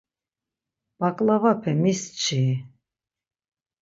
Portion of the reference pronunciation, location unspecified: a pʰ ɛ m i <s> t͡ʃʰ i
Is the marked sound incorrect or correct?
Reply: correct